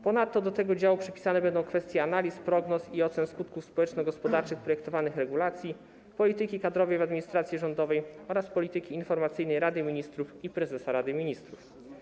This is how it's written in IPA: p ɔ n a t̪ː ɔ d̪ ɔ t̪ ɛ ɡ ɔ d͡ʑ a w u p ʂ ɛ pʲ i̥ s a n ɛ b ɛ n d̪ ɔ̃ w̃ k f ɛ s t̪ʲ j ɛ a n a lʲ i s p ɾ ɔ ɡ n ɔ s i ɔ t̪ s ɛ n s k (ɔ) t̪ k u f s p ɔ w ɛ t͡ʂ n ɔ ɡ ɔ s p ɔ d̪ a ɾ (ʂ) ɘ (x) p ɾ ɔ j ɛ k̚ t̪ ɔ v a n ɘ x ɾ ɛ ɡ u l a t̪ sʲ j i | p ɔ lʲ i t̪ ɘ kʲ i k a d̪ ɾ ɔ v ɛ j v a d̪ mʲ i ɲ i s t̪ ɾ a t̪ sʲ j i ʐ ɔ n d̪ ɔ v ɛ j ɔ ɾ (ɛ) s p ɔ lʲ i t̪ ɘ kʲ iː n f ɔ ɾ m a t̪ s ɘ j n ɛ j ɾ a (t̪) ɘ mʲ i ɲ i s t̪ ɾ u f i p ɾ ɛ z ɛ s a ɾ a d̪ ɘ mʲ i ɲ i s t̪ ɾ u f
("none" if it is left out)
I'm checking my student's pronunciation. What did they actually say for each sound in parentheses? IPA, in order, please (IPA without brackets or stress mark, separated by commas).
u, t͡ʂ, x, a, d̪